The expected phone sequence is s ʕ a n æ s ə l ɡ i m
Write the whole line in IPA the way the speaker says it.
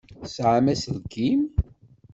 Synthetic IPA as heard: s ʕ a m æ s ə l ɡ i m